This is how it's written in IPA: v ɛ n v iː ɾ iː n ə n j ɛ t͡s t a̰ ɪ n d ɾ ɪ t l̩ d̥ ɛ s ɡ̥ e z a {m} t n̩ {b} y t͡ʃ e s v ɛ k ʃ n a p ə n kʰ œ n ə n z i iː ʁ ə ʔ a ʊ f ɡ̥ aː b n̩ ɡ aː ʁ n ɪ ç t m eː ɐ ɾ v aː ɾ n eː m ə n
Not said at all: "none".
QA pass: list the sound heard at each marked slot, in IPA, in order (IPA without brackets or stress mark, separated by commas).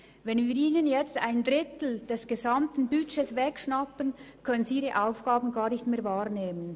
m, b